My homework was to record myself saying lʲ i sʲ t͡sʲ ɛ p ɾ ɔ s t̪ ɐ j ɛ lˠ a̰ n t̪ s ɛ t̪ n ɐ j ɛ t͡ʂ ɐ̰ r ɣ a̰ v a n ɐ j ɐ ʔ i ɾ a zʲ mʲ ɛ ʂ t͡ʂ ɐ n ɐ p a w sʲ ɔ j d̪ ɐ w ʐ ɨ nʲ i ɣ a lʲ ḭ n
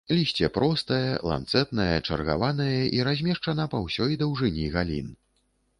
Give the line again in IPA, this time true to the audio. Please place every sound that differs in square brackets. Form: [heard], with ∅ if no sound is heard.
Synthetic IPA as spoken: lʲ i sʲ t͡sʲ ɛ p ɾ ɔ s t̪ ɐ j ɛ lˠ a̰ n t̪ s ɛ t̪ n ɐ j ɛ t͡ʂ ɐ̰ r ɣ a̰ v a n ɐ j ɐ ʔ i ɾ a zʲ mʲ ɛ ʂ t͡ʂ ɐ n ɐ p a w sʲ ɔ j d̪ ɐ w ʐ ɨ nʲ i ɣ a lʲ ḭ n